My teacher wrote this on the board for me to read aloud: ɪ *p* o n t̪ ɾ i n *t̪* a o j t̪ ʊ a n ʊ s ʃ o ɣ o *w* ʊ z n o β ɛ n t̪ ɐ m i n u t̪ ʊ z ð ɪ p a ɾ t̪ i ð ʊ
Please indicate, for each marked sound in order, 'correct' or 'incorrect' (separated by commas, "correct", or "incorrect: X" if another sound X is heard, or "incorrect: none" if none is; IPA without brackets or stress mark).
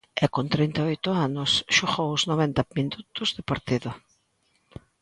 incorrect: k, correct, correct